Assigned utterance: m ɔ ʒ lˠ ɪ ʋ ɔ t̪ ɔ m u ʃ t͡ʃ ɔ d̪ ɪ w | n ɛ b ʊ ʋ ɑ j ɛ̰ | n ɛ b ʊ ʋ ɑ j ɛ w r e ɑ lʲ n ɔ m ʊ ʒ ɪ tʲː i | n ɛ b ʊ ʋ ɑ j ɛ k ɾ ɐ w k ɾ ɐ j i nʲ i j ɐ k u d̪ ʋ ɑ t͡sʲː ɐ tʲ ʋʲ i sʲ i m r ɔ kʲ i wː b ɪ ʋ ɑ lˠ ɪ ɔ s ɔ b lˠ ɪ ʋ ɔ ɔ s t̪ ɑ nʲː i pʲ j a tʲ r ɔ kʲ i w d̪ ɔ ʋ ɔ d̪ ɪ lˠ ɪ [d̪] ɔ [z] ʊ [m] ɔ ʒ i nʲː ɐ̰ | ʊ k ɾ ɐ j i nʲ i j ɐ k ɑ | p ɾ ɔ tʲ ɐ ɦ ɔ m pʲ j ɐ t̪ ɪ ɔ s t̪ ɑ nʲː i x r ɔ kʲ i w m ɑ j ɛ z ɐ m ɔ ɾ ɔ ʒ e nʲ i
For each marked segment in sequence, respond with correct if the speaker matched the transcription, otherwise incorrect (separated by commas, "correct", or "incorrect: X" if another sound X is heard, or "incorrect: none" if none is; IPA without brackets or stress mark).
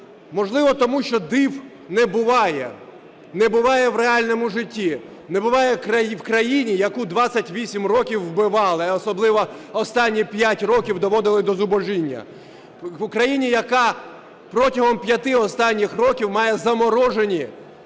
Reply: correct, correct, incorrect: b